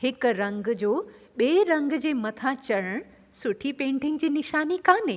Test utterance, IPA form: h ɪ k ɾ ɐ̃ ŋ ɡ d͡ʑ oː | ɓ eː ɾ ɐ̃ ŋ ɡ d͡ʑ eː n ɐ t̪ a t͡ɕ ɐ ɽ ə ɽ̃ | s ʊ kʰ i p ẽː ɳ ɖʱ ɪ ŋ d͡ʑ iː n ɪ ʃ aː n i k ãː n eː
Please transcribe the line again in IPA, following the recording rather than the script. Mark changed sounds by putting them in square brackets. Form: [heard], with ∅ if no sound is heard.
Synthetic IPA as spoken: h ɪ k ɾ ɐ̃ ŋ ɡ d͡ʑ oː | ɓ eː ɾ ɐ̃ ŋ ɡ d͡ʑ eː [m] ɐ [t̪ʰ] a t͡ɕ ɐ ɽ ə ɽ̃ | s ʊ [ʈʰ] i p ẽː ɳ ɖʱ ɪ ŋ d͡ʑ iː n ɪ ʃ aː n i k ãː n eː